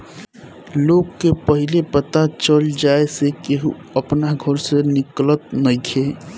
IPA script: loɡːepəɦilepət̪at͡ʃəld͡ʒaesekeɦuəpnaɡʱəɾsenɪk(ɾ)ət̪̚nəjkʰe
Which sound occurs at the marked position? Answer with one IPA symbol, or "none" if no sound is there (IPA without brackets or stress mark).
l